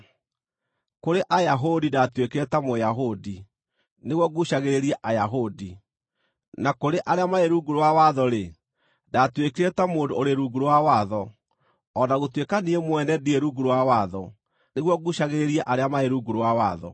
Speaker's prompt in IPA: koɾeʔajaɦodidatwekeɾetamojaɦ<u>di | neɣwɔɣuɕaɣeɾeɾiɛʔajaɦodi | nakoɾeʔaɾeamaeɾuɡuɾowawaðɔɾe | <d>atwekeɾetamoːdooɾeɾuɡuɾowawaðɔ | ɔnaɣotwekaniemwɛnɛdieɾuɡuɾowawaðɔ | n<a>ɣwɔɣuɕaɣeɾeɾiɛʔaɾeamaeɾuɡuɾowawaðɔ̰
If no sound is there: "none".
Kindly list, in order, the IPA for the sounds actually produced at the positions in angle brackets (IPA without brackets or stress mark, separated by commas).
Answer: o, d, e